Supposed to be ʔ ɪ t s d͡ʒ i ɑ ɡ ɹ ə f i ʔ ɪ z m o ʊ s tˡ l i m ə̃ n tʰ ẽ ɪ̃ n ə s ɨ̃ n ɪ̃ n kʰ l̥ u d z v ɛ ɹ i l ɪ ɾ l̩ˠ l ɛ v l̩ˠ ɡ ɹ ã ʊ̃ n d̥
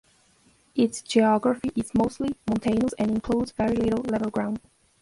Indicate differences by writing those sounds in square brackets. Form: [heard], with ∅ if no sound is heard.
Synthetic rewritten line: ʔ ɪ t s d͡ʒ i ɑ ɡ ɹ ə f i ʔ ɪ z m o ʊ s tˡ l i m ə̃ n tʰ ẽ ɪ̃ n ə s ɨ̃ n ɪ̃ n kʰ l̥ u d z v ɛ ɹ i l ɪ ɾ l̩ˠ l ɛ v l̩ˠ ɡ ɹ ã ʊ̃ n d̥